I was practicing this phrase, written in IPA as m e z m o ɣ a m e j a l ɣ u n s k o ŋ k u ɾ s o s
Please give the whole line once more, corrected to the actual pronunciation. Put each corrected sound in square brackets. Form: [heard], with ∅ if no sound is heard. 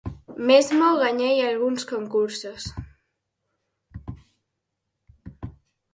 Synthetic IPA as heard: m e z m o ɣ a [ɲ] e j a l ɣ u n s k o ŋ k u ɾ s o s